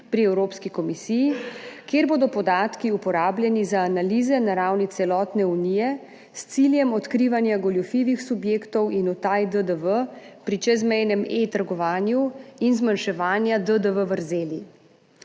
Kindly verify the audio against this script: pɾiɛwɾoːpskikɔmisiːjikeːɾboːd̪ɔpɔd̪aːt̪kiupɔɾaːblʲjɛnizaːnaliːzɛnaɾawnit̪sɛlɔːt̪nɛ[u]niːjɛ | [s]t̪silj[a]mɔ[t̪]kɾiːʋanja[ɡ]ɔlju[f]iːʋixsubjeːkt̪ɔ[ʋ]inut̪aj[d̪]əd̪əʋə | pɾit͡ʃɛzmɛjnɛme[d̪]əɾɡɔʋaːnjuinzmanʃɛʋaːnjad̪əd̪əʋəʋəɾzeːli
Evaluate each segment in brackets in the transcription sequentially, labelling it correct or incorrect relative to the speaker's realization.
correct, correct, incorrect, correct, correct, correct, incorrect, correct, incorrect

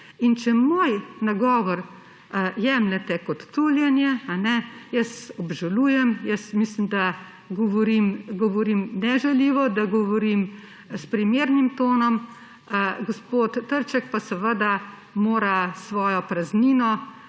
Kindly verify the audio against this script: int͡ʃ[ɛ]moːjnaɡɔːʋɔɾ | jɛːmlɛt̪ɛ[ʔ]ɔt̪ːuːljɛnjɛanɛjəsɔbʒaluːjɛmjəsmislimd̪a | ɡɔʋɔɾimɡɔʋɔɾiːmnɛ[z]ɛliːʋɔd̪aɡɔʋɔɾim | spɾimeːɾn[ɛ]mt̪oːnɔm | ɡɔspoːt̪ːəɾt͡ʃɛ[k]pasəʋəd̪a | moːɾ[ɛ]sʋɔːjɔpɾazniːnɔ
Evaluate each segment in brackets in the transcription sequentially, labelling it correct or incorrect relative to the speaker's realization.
correct, incorrect, incorrect, incorrect, correct, incorrect

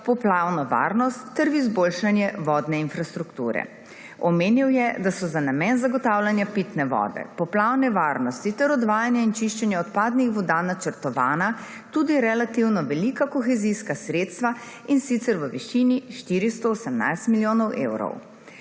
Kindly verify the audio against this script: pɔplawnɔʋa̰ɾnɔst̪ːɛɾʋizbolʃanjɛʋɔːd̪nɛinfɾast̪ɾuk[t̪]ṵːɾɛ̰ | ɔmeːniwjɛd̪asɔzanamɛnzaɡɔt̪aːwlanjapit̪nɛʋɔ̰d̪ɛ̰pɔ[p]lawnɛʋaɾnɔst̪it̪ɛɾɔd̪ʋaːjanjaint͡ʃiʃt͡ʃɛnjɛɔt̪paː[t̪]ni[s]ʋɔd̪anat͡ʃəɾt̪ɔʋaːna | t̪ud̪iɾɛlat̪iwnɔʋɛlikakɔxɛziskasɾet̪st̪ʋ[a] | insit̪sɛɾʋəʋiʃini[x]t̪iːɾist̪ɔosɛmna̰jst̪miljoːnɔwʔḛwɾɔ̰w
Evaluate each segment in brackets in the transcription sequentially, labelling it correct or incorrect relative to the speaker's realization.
correct, correct, incorrect, incorrect, correct, incorrect

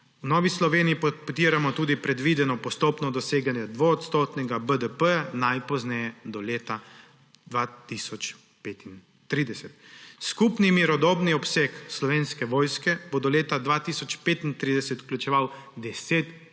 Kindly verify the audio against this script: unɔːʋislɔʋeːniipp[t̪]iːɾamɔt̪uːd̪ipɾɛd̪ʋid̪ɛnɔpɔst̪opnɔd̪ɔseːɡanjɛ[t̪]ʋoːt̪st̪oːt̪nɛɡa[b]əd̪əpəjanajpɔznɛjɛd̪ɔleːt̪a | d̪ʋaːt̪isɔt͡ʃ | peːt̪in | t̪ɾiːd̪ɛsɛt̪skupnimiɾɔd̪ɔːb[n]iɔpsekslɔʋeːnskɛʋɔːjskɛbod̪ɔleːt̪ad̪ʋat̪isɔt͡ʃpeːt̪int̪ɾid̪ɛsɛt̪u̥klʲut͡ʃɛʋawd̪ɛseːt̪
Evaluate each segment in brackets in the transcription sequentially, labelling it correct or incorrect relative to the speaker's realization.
correct, incorrect, correct, correct

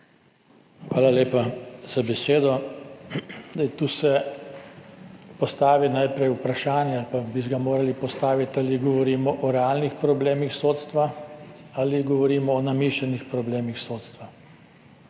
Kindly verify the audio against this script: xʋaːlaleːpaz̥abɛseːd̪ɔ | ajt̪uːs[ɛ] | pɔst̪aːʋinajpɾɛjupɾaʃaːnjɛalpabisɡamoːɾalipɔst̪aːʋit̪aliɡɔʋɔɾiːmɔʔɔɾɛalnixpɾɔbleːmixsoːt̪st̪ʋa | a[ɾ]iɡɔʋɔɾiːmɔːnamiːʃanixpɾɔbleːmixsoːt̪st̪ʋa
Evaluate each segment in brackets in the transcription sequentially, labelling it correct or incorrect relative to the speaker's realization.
correct, incorrect

